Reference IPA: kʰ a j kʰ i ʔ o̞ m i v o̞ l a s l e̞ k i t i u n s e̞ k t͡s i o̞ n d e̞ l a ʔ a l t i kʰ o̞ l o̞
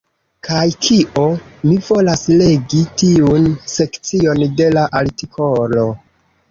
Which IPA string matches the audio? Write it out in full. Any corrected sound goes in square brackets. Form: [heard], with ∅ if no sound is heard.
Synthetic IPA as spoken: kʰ a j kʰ i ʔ o̞ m i v o̞ l a s l e̞ [ɡ] i t i u n s e̞ k t͡s i o̞ n d e̞ l a ʔ a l t i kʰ o̞ l o̞